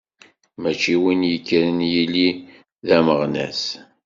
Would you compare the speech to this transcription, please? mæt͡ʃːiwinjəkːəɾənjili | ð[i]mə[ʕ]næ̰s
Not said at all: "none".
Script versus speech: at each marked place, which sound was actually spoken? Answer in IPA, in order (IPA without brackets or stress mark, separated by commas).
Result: æ, ʁ